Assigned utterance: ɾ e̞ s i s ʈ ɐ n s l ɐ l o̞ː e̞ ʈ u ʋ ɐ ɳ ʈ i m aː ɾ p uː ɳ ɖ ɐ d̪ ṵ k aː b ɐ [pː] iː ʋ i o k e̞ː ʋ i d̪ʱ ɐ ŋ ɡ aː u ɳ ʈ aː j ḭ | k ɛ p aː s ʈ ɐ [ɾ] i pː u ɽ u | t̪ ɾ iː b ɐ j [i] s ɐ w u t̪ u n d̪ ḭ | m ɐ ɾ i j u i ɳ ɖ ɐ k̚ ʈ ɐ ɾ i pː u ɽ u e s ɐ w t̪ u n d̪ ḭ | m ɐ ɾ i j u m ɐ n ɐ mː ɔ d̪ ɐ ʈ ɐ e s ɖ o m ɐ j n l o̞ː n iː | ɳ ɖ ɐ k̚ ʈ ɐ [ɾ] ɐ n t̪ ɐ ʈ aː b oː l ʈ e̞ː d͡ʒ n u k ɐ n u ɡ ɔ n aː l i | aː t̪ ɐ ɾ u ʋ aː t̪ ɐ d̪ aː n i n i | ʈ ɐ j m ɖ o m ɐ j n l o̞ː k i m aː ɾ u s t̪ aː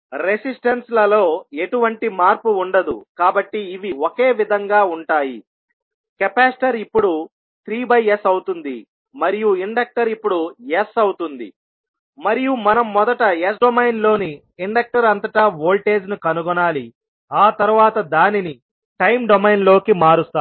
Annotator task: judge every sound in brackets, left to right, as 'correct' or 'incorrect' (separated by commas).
incorrect, correct, incorrect, correct